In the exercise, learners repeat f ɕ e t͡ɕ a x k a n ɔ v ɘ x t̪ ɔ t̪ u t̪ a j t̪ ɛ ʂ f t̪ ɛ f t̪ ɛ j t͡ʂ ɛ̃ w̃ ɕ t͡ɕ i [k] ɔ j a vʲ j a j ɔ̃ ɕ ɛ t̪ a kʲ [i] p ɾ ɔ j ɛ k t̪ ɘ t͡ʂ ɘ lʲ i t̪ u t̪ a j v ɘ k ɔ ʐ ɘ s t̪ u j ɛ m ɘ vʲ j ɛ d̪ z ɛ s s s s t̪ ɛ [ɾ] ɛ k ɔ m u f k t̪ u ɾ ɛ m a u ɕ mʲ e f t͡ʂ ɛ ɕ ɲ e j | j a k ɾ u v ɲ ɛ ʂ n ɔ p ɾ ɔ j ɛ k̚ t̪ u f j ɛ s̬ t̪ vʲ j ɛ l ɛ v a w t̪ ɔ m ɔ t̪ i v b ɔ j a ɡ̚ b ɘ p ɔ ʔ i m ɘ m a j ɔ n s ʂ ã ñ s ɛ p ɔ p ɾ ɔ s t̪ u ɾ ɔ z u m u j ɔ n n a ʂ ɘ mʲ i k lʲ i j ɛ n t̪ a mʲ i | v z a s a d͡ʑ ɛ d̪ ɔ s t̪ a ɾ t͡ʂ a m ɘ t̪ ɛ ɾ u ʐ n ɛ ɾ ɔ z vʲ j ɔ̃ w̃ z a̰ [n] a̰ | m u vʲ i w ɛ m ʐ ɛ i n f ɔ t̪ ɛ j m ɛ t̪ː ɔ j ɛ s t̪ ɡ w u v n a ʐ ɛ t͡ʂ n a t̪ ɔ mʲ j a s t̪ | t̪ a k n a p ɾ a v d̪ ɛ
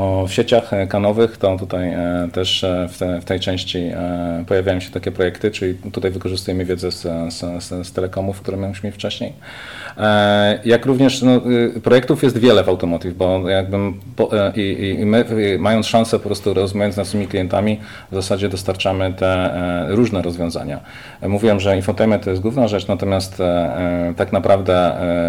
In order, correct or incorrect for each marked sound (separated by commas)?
incorrect, incorrect, incorrect, incorrect